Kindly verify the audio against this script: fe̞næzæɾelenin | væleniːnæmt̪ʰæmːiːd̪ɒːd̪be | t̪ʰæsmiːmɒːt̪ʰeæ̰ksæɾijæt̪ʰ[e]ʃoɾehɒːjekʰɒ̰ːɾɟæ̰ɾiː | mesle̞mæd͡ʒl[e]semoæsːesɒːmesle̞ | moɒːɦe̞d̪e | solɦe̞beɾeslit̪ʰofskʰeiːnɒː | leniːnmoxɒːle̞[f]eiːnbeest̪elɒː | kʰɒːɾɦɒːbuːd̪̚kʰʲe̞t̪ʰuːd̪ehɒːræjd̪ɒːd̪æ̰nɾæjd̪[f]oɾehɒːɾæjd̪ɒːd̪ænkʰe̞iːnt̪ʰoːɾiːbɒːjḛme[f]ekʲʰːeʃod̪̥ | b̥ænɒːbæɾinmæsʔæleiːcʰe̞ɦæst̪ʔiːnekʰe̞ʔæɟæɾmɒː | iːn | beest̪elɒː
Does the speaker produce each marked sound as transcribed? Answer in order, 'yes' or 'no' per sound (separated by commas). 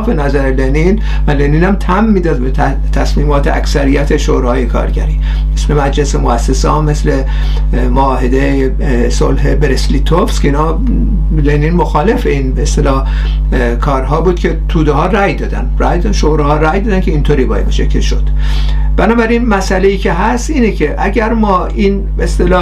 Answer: yes, yes, yes, no, no